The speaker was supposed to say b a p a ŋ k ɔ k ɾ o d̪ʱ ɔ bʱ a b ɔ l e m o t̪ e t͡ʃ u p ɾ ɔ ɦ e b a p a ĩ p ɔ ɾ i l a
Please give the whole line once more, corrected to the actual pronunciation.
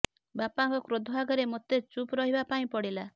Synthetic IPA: b a p a ŋ k ɔ k ɾ o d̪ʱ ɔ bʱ a ɡ ɔ ɾ e m o t̪ e t͡ʃ u p ɾ ɔ ɦ i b a p a ĩ p ɔ ɽ i l a